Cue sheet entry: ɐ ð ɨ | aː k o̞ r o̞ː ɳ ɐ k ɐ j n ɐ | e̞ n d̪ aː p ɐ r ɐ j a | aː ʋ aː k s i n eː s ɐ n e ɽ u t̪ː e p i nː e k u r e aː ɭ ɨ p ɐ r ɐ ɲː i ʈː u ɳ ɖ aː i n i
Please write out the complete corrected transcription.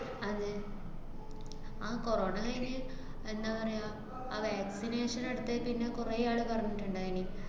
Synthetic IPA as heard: ɐ ð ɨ | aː k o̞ r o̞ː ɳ ɐ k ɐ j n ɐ | e̞ n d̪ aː p ɐ r ɐ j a | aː ʋ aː k s i n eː ʂ ɐ n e ɽ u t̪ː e p i nː e k u r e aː ɭ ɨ p ɐ r ɐ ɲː i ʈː u ɳ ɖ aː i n i

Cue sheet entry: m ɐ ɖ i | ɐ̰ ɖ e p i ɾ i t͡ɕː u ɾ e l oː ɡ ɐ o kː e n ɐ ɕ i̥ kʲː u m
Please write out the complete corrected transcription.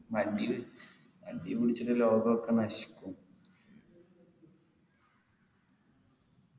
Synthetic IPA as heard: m ɐ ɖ i | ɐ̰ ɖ i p i ɽ i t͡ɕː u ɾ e l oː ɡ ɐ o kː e n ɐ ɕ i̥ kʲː u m

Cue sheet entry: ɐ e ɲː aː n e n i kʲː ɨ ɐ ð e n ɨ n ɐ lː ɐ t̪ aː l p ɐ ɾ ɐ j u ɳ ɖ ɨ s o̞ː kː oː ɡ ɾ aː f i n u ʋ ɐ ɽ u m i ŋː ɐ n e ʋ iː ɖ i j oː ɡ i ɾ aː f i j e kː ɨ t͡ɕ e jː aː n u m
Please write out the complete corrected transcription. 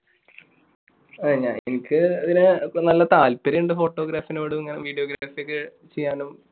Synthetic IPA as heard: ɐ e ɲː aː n e n i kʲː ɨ ɐ ð i n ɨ n ɐ lː ɐ t̪ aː l p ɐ ɾ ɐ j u ɳ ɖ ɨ f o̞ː ʈː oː ɡ ɾ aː f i n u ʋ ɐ ɽ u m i ŋː ɐ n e ʋ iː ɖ i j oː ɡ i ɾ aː f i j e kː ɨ t͡ɕ e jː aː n u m

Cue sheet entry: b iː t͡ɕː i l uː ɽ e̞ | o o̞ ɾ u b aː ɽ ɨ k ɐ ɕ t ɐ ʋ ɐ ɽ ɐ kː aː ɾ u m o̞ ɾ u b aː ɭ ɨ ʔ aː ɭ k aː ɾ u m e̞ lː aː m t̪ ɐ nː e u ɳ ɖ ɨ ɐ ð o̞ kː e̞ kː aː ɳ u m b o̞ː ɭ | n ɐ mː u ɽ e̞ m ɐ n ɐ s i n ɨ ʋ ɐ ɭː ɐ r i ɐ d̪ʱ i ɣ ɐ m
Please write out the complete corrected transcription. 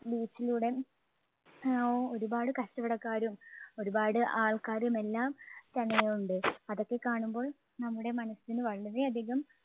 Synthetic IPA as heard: b iː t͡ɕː i l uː ɽ e̞ | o o̞ ɾ u b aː ɽ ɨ k ɐ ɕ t ɐ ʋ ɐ ɽ ɐ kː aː ɾ u m o̞ ɾ u b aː ɽ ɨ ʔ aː ɭ k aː ɾ u m e̞ lː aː m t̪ ɐ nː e u ɳ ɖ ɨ ɐ ð o̞ kː e̞ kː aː ɳ u m b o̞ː ɭ | n ɐ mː u ɽ e̞ m ɐ n ɐ s i n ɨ ʋ ɐ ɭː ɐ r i ɐ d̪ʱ i ɣ ɐ m

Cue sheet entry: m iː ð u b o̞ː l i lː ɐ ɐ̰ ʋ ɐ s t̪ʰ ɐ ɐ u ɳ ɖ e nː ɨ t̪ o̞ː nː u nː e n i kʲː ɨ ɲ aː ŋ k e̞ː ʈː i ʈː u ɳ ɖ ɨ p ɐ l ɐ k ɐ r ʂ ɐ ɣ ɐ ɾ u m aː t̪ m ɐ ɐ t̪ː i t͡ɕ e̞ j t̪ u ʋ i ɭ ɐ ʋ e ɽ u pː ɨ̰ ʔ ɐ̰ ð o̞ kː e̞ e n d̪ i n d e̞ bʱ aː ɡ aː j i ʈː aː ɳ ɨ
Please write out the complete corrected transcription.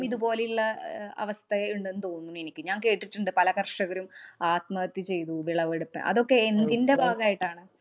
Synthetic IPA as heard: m i ð u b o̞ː l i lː ɐ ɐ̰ ʋ ɐ s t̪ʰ ɐ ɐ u ɳ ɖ e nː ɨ t̪ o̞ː nː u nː e n i kʲː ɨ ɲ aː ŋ k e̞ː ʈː i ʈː u ɳ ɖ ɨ p ɐ l ɐ k ɐ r ʂ ɐ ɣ ɐ ɾ u m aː t̪ m ɐ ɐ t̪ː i t͡ɕ e̞ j t̪ u ʋ i ɭ ɐ ʋ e ɽ u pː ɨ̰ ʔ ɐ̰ ð o̞ kː e̞ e n d̪ i n d e̞ bʱ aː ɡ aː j i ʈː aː ɳ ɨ

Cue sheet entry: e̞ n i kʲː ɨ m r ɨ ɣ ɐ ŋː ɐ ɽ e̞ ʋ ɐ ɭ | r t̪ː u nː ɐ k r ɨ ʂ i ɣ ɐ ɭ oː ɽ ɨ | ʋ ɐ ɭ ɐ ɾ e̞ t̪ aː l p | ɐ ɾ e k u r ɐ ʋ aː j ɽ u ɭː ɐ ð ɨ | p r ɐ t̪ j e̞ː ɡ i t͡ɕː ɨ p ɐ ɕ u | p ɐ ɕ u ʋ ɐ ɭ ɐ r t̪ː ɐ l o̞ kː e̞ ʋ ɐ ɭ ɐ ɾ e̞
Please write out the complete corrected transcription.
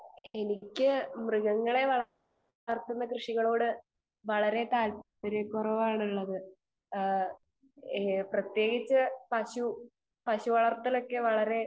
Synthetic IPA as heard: e̞ n i kʲː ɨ m r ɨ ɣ ɐ ŋː ɐ ɭ e̞ ʋ ɐ ɭ | r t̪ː u nː ɐ k r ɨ ʂ i ɣ ɐ ɭ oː ɽ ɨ | ʋ ɐ ɭ ɐ ɾ e̞ t̪ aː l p | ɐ ɾ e k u r ɐ ʋ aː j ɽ u ɭː ɐ ð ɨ | p r ɐ t̪ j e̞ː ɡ i t͡ɕː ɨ p ɐ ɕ u | p ɐ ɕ u ʋ ɐ ɭ ɐ r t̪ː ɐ l o̞ kː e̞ ʋ ɐ ɭ ɐ ɾ e̞

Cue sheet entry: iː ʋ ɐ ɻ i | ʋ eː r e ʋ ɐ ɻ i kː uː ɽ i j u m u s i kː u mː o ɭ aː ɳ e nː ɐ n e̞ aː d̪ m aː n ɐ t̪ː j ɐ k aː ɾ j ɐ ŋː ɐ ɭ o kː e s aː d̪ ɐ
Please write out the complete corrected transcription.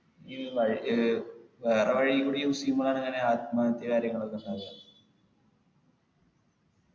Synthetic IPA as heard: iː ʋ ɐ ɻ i | ʋ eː r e ʋ ɐ ɻ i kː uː ɽ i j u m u s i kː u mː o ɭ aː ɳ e ŋː ɐ n e̞ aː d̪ m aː n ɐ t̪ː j ɐ k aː ɾ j ɐ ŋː ɐ ɭ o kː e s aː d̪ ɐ

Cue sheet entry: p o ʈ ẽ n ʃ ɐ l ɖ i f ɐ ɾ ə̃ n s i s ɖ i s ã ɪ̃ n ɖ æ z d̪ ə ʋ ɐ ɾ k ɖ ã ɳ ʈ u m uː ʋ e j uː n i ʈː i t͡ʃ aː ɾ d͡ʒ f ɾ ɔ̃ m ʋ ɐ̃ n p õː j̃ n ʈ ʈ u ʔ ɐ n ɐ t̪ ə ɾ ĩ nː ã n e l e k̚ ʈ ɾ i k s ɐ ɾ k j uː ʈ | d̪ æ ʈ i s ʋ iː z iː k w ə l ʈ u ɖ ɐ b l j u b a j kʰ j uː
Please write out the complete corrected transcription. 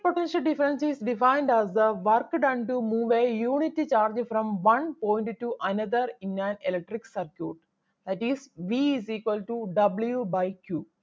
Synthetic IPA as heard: p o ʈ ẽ n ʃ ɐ l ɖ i f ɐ ɾ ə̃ n s i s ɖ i f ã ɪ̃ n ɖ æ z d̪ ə ʋ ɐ ɾ k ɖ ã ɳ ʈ u m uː ʋ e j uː n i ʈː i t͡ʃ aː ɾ d͡ʒ f ɾ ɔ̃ m ʋ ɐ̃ n p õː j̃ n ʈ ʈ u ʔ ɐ n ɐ d̪ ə ɾ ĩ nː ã n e l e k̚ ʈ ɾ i k s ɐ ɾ k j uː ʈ | d̪ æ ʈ i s ʋ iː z iː k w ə l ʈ u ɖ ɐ b l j u b a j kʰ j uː

